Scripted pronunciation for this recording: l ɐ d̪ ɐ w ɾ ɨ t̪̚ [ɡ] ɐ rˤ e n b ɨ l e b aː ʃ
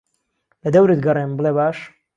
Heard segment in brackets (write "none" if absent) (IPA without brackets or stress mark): ɡ